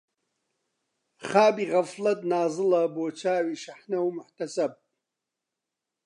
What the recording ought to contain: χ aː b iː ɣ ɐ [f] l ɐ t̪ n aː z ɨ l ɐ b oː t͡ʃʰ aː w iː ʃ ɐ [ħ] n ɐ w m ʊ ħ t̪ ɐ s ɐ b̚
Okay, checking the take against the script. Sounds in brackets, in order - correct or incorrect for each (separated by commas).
correct, correct